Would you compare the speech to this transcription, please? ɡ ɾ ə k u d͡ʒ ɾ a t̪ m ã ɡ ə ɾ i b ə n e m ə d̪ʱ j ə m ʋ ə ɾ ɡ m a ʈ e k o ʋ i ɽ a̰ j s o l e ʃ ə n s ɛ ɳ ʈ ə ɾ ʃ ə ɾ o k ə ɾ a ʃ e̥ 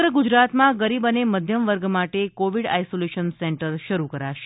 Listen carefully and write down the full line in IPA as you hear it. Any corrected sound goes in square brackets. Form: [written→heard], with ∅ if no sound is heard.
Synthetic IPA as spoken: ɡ ɾ ə [k→ɡ] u d͡ʒ ɾ a t̪ m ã ɡ ə ɾ i b ə n e m ə d̪ʱ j ə m ʋ ə ɾ ɡ m a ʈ e k o ʋ i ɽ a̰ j s o l e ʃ ə n s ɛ ɳ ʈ ə ɾ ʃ ə ɾ [o→u] k ə ɾ a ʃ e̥